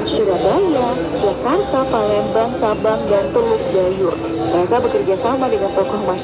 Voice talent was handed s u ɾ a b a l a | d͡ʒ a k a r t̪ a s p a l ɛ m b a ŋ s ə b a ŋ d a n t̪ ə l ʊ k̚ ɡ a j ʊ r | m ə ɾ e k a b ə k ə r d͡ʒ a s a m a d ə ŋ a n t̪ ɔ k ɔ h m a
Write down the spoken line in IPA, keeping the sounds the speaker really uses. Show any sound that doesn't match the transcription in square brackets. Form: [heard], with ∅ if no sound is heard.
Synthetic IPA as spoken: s u ɾ a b a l a | d͡ʒ a k a r t̪ a [∅] p a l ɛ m b a ŋ s [a] b a ŋ d a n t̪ ə l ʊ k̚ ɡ a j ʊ r | m ə ɾ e k a b ə k ə r d͡ʒ a s a m a d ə ŋ a n t̪ ɔ k ɔ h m a